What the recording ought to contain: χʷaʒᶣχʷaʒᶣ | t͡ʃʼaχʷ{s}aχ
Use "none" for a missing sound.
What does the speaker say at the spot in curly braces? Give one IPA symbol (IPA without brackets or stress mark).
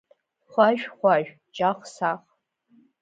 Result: s